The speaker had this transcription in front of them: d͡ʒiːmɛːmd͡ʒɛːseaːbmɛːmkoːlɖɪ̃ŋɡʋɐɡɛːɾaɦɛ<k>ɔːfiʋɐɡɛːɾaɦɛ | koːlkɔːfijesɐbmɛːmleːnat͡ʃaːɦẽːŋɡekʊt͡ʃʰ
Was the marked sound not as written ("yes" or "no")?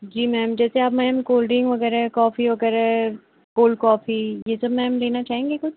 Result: no